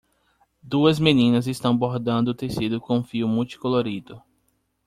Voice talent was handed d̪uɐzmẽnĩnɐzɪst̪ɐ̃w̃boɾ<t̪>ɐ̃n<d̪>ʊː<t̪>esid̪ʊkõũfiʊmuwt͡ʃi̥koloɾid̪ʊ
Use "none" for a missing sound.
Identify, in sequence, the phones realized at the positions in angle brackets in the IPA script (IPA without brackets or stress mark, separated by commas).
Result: d̪, d̪, t̪